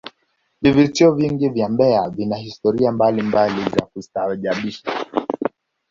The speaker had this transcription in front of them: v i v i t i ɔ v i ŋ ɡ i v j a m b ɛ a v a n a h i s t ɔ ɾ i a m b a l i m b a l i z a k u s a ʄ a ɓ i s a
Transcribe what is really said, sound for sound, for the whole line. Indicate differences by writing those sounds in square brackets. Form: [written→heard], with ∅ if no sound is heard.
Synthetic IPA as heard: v i v i t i ɔ v i ŋ ɡ i v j a m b ɛ a v [a→i] n a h i s t ɔ ɾ i a m b a l i m b a l i z a k u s a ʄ a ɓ i [s→ʃ] a